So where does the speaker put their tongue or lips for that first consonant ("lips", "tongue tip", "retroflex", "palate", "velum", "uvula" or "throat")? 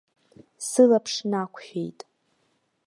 tongue tip